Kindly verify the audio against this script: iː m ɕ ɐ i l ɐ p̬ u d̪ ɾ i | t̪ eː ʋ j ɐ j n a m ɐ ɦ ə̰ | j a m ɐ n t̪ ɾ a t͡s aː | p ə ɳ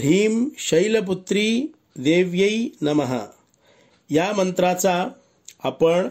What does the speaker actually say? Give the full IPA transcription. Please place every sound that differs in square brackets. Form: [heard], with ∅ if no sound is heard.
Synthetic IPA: iː m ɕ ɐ [j] l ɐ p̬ u [t̪] ɾ i | [d̪] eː ʋ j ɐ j n [ɐ] m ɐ ɦ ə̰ | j a m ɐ n t̪ ɾ a t͡s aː | p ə ɳ